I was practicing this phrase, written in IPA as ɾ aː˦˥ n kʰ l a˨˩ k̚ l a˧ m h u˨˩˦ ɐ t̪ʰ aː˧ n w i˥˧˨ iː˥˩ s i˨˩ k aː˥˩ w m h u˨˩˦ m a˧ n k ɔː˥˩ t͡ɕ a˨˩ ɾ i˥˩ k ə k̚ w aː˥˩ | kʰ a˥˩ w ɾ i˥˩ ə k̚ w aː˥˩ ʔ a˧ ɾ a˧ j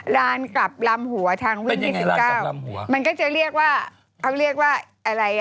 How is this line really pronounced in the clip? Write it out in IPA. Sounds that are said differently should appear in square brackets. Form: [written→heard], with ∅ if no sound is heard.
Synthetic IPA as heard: ɾ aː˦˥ n [kʰ→k] l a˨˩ [k̚→p̚] l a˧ m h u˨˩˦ ɐ t̪ʰ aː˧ [n→ŋ] w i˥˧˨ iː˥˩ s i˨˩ k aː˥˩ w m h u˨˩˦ m a˧ n k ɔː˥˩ t͡ɕ a˨˩ ɾ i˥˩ [k→∅] ə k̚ w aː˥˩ | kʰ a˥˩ w ɾ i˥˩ ə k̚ w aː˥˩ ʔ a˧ ɾ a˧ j